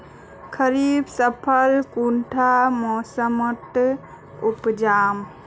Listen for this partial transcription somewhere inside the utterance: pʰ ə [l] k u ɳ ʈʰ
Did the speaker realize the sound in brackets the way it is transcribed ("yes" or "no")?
yes